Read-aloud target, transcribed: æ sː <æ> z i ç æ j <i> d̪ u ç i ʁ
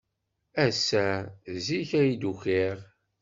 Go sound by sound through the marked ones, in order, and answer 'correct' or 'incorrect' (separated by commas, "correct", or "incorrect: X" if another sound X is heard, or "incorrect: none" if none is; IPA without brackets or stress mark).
correct, correct